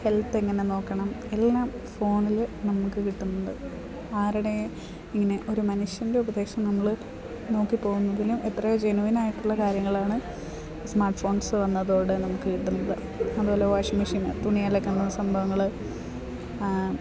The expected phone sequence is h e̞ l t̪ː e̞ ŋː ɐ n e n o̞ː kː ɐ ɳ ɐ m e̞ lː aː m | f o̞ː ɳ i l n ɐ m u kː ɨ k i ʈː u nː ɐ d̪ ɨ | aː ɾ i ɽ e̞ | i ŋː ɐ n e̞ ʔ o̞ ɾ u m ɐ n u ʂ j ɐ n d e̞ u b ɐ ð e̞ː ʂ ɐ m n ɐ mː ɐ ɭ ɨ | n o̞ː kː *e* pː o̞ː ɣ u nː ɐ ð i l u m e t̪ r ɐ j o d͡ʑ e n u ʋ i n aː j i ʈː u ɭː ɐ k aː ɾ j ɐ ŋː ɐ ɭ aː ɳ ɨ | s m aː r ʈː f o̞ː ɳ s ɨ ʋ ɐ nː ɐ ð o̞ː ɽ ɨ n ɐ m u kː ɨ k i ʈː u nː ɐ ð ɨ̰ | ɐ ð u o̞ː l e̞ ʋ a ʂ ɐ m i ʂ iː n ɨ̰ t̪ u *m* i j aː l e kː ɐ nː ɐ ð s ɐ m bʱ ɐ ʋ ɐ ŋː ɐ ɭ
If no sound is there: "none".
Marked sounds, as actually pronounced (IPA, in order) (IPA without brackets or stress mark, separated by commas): i, ɳ